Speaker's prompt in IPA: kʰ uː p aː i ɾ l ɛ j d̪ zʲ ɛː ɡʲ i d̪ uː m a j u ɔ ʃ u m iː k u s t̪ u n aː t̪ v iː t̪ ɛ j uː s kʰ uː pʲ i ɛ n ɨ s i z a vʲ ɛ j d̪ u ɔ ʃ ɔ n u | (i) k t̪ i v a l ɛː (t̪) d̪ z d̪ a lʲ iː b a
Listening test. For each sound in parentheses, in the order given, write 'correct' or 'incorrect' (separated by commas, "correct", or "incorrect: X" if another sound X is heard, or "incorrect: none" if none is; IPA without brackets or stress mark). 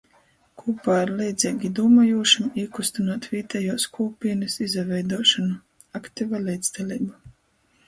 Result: incorrect: a, incorrect: none